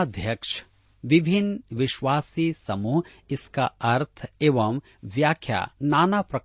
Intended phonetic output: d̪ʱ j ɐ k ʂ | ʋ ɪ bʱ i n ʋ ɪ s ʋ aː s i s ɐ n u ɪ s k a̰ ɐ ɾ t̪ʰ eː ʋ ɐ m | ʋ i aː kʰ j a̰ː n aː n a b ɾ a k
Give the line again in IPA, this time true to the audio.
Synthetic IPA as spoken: d̪ʱ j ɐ k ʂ | ʋ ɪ bʱ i n ʋ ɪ ʃ ʋ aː s i s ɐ m u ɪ s k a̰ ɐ ɾ t̪ʰ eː ʋ ɐ m | ʋ j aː kʰ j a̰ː n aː n a p ɾ ɐ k